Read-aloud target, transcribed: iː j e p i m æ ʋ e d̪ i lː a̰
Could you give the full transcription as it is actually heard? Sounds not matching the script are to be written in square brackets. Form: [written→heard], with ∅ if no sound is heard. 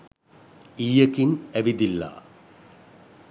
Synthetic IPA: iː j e [p→k] i [m→n] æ ʋ [e→i] d̪ i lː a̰